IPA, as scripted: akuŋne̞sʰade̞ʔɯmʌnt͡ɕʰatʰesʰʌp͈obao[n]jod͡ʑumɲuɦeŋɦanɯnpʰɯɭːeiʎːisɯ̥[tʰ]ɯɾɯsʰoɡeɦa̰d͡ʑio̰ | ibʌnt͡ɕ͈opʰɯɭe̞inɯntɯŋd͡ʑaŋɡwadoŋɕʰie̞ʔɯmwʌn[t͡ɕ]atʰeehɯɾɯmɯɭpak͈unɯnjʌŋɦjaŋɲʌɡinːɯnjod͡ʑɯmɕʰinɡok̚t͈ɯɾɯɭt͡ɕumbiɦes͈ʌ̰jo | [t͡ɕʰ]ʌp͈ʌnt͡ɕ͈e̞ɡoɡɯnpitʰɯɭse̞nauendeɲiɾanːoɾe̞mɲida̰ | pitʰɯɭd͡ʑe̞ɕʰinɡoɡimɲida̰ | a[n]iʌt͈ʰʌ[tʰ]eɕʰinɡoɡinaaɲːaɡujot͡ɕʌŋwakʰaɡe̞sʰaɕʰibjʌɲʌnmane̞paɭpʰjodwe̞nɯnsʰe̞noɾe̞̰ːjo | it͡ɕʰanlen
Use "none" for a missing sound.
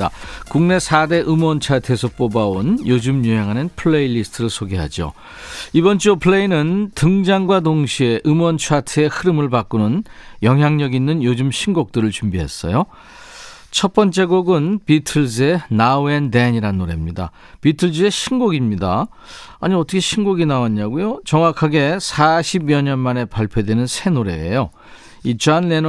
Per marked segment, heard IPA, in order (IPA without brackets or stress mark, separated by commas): n, tʰ, t͡ɕʰ, t͡ɕʰ, ɲ, kʰ